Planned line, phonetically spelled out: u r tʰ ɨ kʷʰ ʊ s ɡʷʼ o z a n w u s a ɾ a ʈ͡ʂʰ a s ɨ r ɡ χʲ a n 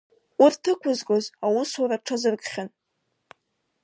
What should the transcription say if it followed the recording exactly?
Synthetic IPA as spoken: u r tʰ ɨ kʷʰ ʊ z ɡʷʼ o z a w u s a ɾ a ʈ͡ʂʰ a z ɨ r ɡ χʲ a n